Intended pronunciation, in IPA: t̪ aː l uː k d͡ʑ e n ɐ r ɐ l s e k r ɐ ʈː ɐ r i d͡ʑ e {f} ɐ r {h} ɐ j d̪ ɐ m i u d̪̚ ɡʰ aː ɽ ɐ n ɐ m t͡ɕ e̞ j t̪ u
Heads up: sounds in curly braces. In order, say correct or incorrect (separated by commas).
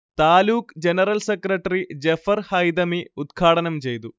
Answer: correct, correct